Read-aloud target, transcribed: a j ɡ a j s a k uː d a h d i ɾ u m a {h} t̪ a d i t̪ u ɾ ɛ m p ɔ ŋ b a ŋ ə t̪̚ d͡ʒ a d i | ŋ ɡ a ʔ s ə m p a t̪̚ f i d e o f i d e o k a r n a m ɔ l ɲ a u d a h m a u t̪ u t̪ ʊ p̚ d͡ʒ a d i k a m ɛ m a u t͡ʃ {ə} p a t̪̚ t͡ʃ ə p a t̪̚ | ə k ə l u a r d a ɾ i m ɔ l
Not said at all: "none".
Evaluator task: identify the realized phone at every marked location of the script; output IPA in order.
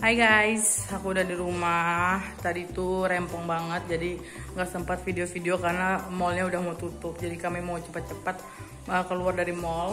h, ə

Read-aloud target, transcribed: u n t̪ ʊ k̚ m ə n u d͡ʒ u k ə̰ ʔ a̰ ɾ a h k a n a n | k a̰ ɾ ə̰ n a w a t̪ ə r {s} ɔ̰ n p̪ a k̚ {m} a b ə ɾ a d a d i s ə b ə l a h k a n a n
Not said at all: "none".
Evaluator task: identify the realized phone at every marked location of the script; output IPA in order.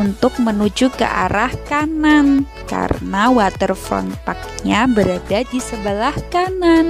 f, ɲ

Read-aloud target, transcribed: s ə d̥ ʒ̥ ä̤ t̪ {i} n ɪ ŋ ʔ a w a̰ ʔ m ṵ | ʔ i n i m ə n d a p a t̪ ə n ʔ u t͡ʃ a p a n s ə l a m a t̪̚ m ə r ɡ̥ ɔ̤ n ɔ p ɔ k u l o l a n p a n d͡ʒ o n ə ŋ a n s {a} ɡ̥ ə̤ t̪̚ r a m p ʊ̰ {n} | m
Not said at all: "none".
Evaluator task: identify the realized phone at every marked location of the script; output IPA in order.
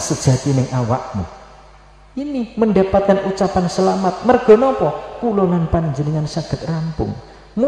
i, a, ŋ

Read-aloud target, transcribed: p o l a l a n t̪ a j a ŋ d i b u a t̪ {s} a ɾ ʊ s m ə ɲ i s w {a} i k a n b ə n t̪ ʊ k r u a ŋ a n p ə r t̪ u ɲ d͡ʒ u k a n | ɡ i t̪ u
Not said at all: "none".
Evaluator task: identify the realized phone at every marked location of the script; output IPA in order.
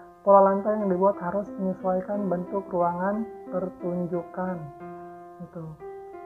h, a

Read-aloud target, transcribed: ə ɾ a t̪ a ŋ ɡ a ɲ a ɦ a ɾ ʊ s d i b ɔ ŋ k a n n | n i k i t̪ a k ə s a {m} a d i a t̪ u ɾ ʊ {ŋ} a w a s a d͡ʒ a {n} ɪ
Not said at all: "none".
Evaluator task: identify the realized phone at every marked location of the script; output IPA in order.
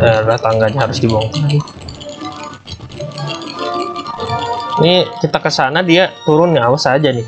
n, n, n

